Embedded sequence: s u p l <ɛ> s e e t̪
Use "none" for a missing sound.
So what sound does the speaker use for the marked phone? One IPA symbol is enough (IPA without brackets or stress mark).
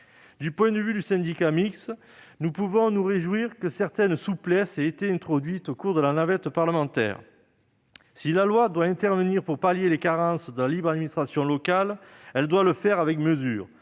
ɛ